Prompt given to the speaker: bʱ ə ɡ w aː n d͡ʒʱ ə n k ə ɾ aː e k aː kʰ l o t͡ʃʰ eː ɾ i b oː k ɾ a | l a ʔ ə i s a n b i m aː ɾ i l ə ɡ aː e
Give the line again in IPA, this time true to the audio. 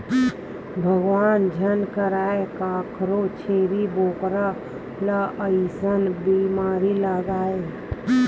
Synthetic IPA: bʱ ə ɡ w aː n d͡ʒʱ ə n k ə ɾ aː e k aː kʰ ɾ o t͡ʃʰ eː ɾ i b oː k ɾ a | l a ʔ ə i s ə n b i m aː ɾ i l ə ɡ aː e

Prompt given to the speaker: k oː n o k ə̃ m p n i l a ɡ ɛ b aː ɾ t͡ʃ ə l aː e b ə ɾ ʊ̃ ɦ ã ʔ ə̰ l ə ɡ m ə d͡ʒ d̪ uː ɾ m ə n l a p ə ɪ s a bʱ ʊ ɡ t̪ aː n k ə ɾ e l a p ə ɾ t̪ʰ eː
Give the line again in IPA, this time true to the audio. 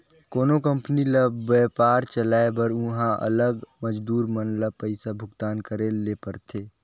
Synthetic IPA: k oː n o k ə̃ m p n i l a b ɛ p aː ɾ t͡ʃ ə l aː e b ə ɾ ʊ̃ ɦ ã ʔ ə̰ l ə ɡ m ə d͡ʒ d̪ uː ɾ m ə n l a p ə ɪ s a bʱ ʊ ɡ t̪ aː n k ə ɾ e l e p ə ɾ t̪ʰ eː

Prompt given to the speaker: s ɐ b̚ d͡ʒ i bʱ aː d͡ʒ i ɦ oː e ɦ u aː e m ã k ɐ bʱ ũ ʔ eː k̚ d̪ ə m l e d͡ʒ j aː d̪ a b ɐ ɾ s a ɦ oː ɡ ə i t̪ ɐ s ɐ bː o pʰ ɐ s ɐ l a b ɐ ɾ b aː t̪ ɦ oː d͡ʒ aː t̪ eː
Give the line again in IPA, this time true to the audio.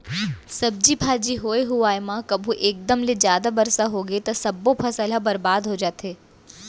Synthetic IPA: s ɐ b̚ d͡ʒ i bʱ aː d͡ʒ i ɦ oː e ɦ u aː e m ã k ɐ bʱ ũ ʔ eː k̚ d̪ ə m l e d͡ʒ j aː d̪ a b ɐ ɾ s a ɦ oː ɡ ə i t̪ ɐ s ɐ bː o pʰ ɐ s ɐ l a b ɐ ɾ b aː d̪ ɦ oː d͡ʒ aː t̪ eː

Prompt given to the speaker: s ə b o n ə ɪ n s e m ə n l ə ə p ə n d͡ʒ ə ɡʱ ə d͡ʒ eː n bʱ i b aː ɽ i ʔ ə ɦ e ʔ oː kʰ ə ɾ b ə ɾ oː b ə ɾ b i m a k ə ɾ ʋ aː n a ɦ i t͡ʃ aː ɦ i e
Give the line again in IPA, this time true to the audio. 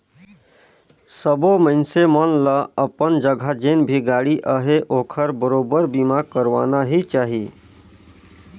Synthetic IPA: s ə b o m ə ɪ n s e m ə n l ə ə p ə n d͡ʒ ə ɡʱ a d͡ʒ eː n bʱ i ɡ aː ɽ i ʔ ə ɦ e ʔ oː kʰ ə ɾ b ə ɾ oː b ə ɾ b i m a k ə ɾ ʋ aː n a ɦ i t͡ʃ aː ɦ i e

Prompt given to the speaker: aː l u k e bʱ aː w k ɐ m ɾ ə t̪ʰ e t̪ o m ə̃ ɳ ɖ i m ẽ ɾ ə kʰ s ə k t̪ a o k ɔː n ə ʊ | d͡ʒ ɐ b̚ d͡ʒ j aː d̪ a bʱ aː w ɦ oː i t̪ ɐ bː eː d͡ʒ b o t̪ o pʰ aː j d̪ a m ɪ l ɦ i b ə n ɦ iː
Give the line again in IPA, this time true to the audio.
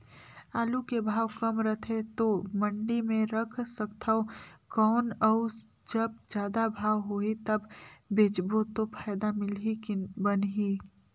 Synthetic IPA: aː l u k e bʱ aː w k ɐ m ɾ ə t̪ʰ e t̪ o m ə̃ ɳ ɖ i m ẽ ɾ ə kʰ s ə k t̪ʰ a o k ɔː n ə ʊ | d͡ʒ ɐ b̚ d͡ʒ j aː d̪ a bʱ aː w ɦ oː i t̪ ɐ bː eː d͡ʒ b o t̪ o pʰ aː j d̪ a m ɪ l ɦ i b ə n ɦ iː

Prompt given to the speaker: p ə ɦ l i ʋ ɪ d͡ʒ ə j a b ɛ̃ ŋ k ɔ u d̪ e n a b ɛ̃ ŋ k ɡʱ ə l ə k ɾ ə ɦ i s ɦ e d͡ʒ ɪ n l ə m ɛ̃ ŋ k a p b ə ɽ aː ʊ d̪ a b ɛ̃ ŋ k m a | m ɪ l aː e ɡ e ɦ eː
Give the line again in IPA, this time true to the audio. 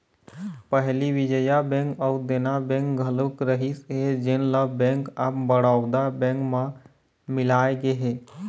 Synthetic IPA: p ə ɦ l i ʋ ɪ d͡ʒ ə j a b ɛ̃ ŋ k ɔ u d̪ e n a b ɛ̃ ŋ k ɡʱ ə l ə k ɾ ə ɦ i s ɦ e d͡ʒ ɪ n l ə b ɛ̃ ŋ k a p b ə ɽ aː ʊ d̪ a b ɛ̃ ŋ k m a | m ɪ l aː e ɡ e ɦ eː

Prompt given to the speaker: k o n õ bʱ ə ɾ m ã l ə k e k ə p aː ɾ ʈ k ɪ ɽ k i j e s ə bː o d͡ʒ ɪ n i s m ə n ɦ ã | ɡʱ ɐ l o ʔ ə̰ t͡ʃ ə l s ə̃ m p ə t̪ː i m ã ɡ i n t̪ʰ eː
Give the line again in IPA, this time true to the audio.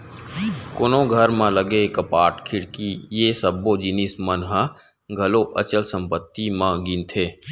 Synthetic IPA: k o n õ ɡʱ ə ɾ m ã l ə ɡ e k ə p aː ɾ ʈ kʰ ɪ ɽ k i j e s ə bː o d͡ʒ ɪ n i s m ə n ɦ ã | ɡʱ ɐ l o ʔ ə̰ t͡ʃ ə l s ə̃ m p ə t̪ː i m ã ɡ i n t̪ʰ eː

